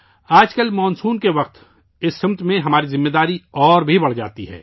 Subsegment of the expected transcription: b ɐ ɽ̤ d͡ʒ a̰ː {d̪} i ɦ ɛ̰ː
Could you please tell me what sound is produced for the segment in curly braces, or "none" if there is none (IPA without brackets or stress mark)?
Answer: t̪